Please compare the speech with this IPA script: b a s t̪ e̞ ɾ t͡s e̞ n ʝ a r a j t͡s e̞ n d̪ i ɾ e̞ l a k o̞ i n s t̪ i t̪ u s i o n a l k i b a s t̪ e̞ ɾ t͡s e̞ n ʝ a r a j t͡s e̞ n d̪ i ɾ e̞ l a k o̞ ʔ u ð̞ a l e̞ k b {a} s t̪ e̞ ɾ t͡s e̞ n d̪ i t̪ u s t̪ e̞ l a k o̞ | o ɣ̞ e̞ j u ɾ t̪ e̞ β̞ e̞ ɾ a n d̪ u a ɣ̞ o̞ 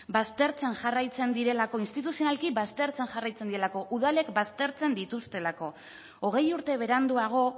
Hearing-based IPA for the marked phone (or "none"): a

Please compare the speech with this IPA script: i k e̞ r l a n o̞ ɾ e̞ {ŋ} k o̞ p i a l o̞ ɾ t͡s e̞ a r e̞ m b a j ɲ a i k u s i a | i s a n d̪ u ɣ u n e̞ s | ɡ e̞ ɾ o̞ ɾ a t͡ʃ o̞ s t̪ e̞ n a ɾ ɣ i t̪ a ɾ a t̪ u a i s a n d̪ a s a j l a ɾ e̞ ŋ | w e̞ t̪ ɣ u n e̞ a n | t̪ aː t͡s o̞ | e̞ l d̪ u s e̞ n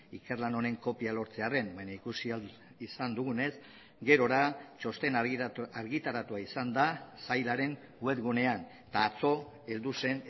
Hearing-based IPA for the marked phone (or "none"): ŋ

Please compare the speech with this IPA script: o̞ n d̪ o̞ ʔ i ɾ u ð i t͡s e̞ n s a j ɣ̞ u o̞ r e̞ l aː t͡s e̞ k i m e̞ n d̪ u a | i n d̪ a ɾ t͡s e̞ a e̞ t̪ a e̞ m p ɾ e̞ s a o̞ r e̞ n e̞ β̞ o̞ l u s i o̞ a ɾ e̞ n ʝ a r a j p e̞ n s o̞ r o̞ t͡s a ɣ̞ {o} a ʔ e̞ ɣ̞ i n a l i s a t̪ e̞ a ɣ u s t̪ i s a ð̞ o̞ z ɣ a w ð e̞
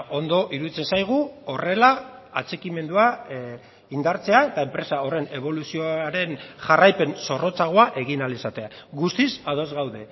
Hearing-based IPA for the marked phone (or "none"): o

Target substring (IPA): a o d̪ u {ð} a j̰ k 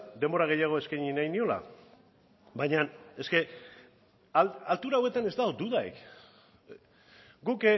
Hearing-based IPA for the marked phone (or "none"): ð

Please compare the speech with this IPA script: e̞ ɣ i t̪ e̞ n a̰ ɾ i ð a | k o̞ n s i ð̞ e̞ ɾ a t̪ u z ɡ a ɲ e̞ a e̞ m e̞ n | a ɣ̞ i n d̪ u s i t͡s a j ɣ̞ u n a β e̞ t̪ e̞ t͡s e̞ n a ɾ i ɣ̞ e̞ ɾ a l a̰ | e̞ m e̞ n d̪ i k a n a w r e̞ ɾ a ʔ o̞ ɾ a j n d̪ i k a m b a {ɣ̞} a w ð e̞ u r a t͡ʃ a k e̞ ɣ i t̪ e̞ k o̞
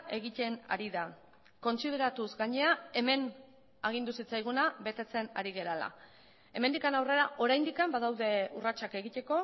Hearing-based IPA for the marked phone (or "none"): ð̞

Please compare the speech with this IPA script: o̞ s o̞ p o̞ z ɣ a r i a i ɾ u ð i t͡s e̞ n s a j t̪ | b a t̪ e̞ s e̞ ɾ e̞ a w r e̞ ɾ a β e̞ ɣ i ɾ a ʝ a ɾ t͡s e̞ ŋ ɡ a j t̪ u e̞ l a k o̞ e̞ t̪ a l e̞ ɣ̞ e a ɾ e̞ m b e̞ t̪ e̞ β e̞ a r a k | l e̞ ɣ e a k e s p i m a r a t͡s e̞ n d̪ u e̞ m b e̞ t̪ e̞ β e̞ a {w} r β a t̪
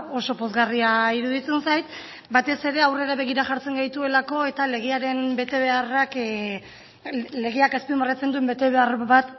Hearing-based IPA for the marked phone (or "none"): none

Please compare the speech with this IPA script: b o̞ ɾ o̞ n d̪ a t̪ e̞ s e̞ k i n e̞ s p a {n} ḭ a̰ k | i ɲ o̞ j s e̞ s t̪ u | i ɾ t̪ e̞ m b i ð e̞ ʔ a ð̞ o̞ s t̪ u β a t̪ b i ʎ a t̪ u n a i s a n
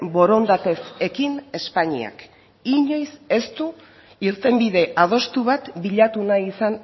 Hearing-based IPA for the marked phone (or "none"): ɲ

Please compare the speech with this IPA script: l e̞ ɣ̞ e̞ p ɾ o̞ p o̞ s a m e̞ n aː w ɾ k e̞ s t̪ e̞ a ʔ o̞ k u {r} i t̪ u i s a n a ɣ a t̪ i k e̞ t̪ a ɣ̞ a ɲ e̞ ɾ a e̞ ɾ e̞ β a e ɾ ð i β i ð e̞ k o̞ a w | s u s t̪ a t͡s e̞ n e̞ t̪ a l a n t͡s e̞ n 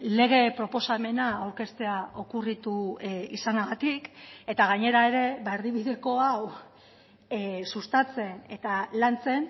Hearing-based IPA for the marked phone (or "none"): r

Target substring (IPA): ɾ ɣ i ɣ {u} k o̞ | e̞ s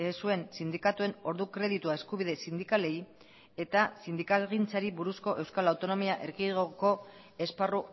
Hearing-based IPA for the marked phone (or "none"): o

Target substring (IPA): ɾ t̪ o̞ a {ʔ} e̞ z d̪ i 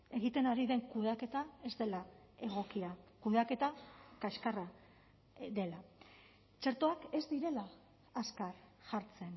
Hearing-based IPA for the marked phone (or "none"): k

